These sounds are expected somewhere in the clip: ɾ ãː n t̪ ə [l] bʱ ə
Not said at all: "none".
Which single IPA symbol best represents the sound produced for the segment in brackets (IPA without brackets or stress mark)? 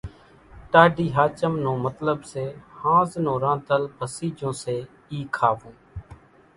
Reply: l